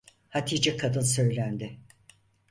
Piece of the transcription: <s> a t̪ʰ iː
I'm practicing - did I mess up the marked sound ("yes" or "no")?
yes